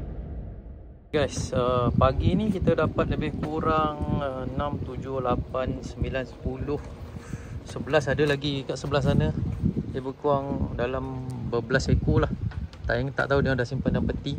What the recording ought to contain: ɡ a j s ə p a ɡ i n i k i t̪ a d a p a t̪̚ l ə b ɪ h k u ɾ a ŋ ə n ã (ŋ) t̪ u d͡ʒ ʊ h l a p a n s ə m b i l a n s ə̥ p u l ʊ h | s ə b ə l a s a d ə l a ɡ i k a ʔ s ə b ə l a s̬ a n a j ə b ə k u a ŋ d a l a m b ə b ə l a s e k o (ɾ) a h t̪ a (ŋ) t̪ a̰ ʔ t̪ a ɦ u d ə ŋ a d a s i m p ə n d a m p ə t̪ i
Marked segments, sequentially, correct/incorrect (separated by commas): incorrect, incorrect, correct